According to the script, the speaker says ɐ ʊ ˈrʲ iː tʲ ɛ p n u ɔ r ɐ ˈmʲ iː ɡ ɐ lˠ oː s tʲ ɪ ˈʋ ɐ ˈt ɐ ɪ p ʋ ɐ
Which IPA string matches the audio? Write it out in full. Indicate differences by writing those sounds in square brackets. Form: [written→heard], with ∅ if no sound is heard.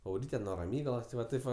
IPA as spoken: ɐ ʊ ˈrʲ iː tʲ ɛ [p→∅] n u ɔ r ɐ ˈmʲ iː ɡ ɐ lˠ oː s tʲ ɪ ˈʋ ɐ ˈt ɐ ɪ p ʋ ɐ

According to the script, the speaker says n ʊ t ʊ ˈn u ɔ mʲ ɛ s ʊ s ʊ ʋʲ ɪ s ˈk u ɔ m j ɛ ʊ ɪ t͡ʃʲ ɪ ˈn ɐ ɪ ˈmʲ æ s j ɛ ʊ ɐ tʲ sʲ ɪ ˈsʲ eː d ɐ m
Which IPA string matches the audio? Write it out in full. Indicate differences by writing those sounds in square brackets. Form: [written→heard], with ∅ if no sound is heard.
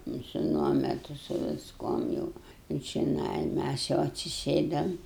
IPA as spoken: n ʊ [t→s] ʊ ˈn u ɔ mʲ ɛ [s→t] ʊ s ʊ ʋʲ ɪ s ˈk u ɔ m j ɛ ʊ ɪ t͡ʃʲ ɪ ˈn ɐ ɪ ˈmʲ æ s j ɛ ʊ ɐ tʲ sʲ ɪ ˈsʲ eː d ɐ m

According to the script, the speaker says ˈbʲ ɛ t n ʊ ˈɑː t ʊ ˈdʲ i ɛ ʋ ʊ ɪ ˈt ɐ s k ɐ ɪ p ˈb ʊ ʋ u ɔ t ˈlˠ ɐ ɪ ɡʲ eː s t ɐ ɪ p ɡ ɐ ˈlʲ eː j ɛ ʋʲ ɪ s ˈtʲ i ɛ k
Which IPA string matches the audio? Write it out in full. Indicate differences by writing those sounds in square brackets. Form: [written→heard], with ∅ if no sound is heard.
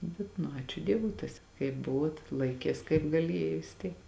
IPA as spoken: ˈbʲ ɛ t n ʊ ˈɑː [t→t͡ʃʲ] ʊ ˈdʲ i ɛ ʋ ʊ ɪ ˈt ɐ s k ɐ ɪ p ˈb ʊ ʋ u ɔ t ˈlˠ ɐ ɪ [ɡʲ→kʲ] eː s [t→k] ɐ ɪ p ɡ ɐ ˈlʲ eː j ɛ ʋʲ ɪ s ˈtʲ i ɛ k

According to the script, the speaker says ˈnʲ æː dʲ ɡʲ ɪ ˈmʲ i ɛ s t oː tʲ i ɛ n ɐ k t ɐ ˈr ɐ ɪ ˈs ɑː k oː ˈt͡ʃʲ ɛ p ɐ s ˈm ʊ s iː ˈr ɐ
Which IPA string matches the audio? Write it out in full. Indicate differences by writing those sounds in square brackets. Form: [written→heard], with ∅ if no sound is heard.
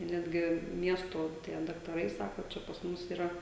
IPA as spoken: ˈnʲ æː dʲ ɡʲ ɪ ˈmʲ i ɛ s t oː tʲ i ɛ [n→d] ɐ k t ɐ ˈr ɐ ɪ ˈs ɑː k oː ˈt͡ʃʲ ɛ p ɐ s ˈm ʊ s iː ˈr ɐ

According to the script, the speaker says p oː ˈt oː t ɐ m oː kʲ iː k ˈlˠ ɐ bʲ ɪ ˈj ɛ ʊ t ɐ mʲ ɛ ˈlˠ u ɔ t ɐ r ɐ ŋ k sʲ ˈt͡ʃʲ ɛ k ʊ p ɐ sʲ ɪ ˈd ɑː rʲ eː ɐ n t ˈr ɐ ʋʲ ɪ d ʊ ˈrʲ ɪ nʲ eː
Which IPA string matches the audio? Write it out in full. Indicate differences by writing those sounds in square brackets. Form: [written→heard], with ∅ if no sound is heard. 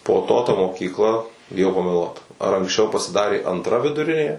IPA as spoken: p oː ˈt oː t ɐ m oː kʲ iː k ˈlˠ ɐ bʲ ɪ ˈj ɛ ʊ [t→p] ɐ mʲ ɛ ˈlˠ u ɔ t ɐ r ɐ ŋ k sʲ ˈt͡ʃʲ ɛ [k→∅] ʊ p ɐ sʲ ɪ ˈd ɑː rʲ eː ɐ n t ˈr ɐ ʋʲ ɪ d ʊ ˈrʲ ɪ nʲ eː

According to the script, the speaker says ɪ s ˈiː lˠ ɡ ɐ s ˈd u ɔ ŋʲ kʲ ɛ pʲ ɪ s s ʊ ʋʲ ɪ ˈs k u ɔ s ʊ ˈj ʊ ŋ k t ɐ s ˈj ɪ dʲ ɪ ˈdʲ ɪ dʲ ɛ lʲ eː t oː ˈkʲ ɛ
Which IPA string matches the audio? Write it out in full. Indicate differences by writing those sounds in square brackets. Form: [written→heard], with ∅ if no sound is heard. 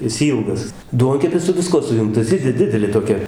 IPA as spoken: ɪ s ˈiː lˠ ɡ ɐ s ˈd u ɔ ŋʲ kʲ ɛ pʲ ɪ s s ʊ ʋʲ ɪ ˈs k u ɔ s ʊ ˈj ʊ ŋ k t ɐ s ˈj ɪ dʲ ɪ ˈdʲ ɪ dʲ ɛ lʲ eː t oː ˈkʲ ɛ

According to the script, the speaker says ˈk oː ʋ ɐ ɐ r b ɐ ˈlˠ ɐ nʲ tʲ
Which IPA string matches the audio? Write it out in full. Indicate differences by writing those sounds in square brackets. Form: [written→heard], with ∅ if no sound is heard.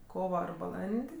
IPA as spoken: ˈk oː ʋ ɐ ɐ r b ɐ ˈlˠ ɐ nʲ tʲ

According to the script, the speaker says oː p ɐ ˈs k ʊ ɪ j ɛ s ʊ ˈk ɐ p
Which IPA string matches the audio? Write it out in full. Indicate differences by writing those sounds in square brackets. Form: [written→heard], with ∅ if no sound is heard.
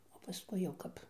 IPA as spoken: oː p ɐ ˈs k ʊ ɪ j ɛ [s→∅] ʊ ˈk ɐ p

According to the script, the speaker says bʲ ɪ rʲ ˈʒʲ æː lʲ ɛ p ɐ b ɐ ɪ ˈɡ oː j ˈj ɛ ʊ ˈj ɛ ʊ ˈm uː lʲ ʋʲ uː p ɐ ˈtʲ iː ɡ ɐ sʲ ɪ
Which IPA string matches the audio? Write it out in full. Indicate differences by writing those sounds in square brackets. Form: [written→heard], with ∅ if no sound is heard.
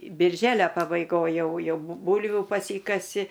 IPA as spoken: bʲ ɪ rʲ ˈʒʲ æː lʲ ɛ p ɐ b ɐ ɪ ˈɡ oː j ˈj ɛ ʊ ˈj ɛ ʊ [ˈm→ˈb] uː lʲ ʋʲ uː p ɐ [ˈtʲ→ˈsʲ] iː [ɡ→k] ɐ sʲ ɪ

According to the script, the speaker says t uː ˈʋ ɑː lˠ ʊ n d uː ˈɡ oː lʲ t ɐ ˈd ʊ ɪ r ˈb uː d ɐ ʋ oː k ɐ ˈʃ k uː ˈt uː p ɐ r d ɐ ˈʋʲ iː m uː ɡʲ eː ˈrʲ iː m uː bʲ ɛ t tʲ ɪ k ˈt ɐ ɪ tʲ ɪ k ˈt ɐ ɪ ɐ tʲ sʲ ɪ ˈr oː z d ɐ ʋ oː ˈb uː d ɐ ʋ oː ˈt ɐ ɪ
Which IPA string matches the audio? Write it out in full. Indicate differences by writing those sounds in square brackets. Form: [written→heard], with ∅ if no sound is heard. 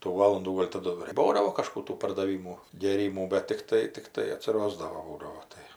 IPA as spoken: t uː ˈʋ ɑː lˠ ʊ n d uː ˈɡ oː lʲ t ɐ ˈd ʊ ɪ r ˈb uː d ɐ ʋ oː k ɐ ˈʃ k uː ˈt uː p ɐ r d ɐ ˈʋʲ iː m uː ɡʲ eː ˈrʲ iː m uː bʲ ɛ t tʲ ɪ k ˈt ɐ ɪ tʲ ɪ k ˈt ɐ ɪ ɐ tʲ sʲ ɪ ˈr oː z d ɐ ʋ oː ˈb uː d ɐ ʋ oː ˈt ɐ ɪ

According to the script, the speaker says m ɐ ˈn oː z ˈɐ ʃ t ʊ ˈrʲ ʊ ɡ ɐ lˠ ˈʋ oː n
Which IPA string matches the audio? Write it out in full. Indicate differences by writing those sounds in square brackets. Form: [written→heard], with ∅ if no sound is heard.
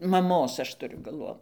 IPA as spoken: m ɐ [ˈn→ˈm] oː [z→s] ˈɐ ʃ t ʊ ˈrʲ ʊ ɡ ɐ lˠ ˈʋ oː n

